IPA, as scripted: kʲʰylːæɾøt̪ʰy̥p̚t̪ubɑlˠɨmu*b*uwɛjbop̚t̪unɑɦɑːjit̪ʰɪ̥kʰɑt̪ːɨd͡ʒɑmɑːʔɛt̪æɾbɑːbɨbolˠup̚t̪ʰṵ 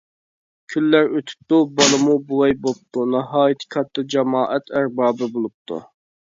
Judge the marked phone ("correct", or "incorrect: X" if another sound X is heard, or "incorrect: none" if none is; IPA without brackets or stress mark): correct